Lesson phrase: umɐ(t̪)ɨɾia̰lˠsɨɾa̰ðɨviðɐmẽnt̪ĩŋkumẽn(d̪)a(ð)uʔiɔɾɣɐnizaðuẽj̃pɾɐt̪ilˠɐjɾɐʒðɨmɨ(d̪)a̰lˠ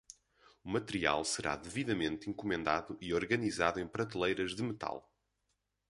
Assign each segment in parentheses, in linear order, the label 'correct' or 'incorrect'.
correct, correct, correct, incorrect: t̪

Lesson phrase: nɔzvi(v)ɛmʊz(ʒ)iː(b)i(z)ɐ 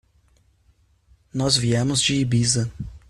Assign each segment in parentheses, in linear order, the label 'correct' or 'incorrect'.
incorrect: none, incorrect: d͡ʒ, correct, correct

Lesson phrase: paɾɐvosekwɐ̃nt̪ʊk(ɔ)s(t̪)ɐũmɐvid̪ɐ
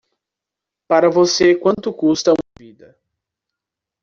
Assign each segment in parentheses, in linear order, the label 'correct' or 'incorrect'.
incorrect: u, correct

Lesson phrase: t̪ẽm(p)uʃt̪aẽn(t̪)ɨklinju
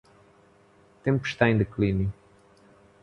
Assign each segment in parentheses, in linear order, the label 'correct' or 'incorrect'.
correct, incorrect: d̪

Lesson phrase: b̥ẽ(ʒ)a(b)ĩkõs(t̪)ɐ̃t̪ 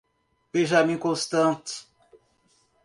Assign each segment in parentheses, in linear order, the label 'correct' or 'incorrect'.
correct, incorrect: m, correct

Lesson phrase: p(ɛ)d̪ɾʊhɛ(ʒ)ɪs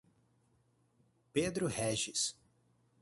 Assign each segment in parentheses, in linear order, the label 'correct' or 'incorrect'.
incorrect: e, correct

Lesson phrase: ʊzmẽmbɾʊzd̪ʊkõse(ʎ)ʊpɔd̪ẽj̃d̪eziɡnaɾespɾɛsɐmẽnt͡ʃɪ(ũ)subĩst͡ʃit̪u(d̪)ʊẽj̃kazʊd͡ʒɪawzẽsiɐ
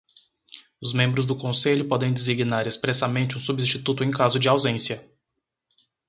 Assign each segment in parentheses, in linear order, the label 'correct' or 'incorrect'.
correct, correct, incorrect: t̪

